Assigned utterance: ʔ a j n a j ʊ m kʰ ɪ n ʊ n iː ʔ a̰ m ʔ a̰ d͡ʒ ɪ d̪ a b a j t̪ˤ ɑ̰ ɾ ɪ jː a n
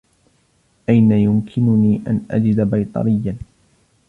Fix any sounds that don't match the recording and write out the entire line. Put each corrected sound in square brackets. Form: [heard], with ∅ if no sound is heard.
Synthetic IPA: ʔ a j n a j ʊ m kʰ ɪ n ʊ n iː ʔ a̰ [n] ʔ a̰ d͡ʒ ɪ d̪ a b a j t̪ˤ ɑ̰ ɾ ɪ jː a n